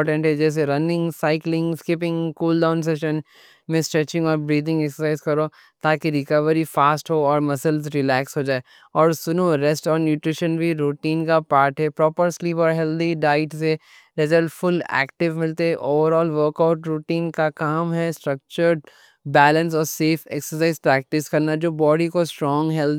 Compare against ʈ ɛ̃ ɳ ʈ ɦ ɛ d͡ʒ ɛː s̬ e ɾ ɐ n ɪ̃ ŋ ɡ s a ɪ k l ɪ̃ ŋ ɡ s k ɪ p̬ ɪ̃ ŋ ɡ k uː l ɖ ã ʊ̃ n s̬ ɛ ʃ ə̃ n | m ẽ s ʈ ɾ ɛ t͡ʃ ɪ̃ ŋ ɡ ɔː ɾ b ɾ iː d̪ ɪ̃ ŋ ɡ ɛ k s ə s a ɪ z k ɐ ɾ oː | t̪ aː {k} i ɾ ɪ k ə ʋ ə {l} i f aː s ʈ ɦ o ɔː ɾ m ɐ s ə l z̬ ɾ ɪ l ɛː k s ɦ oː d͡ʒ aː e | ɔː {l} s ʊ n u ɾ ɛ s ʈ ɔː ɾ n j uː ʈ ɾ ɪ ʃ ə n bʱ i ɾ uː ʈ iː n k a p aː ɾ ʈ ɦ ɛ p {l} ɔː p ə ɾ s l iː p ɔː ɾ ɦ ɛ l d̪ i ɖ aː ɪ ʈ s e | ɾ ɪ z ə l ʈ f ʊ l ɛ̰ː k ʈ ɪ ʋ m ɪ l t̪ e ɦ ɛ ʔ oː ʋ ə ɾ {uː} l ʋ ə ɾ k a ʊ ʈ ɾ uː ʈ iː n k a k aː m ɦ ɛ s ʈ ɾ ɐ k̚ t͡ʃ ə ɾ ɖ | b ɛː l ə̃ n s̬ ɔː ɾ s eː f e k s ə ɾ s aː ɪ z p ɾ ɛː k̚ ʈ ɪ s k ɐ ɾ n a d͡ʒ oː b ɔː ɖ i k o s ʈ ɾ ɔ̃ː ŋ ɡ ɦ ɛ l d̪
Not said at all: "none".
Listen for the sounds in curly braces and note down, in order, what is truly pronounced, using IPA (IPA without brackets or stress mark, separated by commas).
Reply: k, ɾ, ɾ, ɾ, ɔː